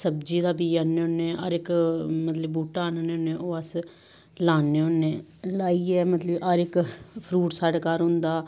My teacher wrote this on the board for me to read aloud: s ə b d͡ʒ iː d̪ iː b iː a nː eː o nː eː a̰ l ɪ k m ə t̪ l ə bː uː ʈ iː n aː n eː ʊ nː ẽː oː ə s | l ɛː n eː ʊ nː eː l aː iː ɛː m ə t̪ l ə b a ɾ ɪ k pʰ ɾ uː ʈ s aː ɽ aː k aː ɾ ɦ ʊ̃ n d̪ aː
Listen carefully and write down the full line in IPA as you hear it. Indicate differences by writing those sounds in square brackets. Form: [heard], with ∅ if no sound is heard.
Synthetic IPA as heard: s ə b d͡ʒ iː d̪ [aː] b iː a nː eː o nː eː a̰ [ɾ] ɪ k m ə t̪ l ə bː uː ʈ [aː] n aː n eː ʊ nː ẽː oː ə s | l [aː] n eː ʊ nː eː l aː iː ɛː m ə t̪ l ə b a ɾ ɪ k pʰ ɾ uː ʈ s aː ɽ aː k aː ɾ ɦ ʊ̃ n d̪ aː